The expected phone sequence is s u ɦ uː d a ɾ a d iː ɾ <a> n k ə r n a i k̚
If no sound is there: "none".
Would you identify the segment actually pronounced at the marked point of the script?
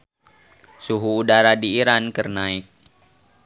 a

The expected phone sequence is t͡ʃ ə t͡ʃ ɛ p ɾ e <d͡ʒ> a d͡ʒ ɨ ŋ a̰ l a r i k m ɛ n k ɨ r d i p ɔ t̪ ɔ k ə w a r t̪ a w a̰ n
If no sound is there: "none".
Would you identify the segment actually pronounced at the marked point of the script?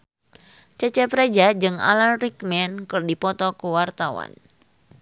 d͡ʒ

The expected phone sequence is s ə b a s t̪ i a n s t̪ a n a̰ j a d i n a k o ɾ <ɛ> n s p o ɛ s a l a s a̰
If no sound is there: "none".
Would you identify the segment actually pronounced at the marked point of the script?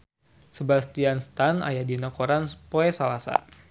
a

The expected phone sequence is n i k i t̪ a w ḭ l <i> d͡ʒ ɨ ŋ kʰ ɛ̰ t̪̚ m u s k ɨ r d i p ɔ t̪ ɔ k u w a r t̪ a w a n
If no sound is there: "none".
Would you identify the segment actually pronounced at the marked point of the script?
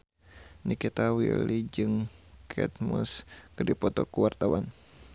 i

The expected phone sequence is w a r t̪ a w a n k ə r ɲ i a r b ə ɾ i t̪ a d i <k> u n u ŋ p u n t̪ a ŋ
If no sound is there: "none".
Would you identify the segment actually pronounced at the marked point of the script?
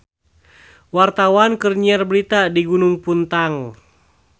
ɡ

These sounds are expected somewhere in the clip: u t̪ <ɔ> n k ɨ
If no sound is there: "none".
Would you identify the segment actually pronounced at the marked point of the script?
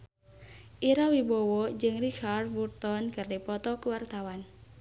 ɔ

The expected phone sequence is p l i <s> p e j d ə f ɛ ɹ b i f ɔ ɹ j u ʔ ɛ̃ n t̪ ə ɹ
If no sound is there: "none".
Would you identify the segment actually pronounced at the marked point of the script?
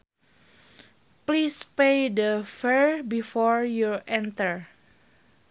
s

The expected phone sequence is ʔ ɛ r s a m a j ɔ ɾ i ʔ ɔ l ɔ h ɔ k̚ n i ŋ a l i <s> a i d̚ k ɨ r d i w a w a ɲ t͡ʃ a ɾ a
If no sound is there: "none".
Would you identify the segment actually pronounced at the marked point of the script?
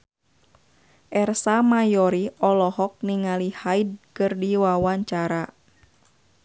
h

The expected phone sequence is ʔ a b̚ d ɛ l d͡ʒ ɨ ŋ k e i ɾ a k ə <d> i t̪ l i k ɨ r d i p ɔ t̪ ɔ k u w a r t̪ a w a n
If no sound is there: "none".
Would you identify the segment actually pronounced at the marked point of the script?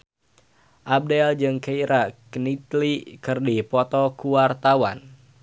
n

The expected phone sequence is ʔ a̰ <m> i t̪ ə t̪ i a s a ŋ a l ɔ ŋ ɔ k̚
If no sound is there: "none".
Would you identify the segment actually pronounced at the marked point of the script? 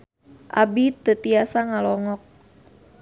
b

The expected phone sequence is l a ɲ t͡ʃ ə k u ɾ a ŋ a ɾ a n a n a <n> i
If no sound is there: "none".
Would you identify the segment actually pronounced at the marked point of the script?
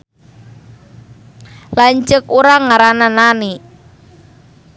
n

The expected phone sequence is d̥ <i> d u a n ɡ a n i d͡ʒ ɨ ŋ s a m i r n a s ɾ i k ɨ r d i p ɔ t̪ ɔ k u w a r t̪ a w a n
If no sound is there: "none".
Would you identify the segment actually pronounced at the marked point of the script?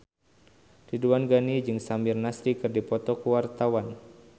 i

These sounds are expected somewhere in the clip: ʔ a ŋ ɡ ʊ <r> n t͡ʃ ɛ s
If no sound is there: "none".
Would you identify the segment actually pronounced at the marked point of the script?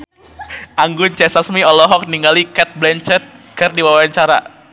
none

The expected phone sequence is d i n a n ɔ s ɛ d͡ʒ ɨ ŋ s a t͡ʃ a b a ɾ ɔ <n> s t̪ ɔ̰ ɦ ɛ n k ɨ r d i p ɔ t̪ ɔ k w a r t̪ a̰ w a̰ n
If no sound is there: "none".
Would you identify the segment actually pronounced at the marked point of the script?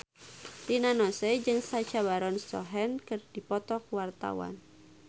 n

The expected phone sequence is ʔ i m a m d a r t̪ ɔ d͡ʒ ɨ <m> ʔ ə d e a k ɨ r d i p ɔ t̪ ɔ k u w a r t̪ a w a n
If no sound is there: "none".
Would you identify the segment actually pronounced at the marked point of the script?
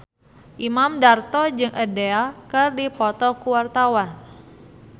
ŋ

